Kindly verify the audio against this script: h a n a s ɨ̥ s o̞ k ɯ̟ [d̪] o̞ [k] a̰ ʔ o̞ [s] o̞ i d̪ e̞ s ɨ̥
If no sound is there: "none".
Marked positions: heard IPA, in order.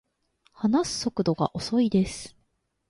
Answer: d̪, ɡ, s

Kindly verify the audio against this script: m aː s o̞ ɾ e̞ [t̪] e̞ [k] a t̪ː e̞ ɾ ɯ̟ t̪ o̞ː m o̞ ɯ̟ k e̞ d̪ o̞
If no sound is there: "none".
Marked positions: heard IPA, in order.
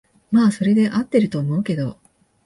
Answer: d̪, ʔ

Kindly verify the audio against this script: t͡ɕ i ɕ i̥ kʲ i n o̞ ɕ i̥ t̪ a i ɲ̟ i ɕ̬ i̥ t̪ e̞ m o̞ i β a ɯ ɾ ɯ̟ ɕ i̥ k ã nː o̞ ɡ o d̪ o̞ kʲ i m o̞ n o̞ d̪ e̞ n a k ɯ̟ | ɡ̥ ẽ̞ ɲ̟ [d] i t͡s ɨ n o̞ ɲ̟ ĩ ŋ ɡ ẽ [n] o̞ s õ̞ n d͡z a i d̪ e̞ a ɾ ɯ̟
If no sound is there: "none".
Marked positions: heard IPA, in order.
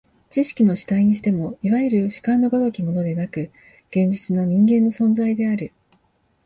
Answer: d͡ʑ, nː

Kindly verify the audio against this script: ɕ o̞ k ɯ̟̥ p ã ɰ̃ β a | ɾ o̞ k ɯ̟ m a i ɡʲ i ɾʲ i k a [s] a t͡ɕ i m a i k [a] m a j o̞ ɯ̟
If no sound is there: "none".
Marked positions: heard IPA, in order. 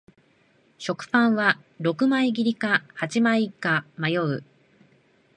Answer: h, a

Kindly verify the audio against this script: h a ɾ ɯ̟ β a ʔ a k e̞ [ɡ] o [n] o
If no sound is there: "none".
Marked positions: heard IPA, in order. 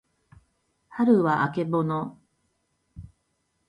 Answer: b, n

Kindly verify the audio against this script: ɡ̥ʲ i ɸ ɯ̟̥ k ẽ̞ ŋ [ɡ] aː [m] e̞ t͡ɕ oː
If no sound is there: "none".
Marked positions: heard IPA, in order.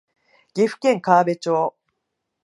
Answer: k, b

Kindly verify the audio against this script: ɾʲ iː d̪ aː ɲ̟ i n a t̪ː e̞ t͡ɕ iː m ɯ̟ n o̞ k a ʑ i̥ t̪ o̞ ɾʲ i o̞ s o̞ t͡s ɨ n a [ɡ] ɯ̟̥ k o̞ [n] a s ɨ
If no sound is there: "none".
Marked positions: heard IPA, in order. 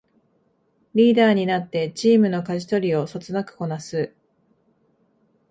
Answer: k, n

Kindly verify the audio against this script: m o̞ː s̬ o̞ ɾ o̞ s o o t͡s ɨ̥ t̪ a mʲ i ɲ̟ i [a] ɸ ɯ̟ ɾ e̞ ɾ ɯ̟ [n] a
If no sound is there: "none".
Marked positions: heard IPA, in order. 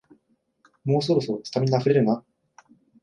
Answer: a, n

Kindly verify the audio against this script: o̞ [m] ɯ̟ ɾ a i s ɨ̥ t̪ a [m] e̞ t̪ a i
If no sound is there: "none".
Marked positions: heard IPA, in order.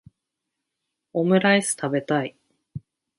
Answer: m, b

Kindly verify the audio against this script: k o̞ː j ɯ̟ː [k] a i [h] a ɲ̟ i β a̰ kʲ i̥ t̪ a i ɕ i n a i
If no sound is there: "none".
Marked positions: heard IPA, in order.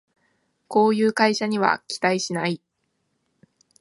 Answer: k, ɕ

